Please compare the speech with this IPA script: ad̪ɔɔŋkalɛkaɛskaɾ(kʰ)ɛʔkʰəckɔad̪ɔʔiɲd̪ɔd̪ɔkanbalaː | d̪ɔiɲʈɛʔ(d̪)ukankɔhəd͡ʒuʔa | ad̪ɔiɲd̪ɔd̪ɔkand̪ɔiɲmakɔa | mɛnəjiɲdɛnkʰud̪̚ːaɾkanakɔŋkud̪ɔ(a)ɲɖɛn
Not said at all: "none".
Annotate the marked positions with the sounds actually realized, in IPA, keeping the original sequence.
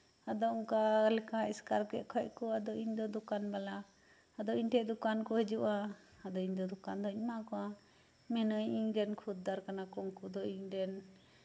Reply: k, d̪, i

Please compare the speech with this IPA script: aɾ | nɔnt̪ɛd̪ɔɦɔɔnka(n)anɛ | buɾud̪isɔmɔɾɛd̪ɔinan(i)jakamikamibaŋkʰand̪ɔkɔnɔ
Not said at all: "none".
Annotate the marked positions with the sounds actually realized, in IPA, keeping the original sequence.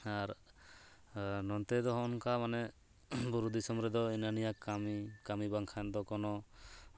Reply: m, i

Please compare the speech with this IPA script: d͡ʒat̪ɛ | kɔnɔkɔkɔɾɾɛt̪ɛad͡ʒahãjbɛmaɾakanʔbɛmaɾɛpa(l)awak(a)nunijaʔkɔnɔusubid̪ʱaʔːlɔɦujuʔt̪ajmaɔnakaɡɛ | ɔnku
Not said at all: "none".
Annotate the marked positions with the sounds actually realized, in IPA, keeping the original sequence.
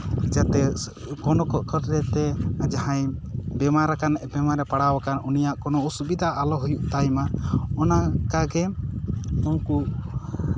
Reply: ɽ, a

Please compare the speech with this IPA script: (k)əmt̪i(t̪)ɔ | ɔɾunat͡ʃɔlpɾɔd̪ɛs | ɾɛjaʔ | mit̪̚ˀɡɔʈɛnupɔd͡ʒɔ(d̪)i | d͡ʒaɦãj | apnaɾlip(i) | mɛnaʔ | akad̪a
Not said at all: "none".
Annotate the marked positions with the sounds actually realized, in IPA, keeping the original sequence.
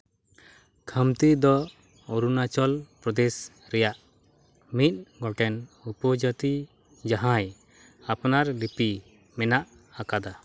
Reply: kʰ, d̪, t̪, i

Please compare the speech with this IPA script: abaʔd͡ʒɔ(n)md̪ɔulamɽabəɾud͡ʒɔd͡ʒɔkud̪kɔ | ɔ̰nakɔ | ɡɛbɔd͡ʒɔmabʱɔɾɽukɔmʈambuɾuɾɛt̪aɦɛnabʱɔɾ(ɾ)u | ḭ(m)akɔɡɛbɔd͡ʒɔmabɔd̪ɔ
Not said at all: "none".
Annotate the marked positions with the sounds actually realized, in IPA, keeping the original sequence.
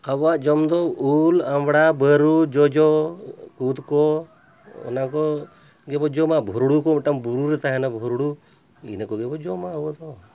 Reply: none, ɽ, n

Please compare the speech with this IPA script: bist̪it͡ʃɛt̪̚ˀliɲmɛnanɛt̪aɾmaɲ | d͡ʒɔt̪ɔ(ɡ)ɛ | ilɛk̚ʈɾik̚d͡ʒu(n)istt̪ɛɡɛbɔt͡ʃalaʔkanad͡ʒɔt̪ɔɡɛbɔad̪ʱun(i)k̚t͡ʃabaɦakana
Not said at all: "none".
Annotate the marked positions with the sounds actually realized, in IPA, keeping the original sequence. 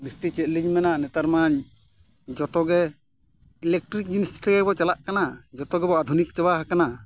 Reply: ɡ, n, i

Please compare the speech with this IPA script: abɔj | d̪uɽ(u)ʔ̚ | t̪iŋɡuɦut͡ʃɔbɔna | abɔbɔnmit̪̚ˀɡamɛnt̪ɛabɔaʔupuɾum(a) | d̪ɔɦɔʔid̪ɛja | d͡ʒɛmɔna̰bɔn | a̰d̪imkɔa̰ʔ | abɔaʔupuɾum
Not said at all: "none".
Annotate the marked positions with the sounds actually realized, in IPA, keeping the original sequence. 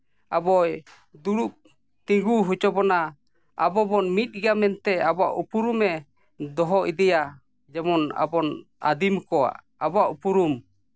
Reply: u, ɛ

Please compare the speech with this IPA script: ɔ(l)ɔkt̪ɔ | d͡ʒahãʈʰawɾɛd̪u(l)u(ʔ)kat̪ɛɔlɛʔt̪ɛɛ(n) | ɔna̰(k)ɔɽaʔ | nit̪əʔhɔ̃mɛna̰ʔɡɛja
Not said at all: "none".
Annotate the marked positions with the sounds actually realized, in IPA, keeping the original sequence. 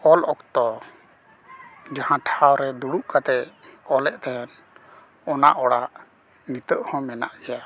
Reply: l, ɽ, ʔ, n, ʔ

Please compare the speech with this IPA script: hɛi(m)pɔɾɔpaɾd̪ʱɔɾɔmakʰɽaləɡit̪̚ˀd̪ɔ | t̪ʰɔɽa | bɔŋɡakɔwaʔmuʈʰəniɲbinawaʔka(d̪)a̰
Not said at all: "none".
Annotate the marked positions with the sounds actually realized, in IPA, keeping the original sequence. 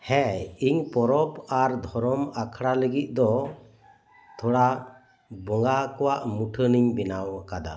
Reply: ɲ, d̪

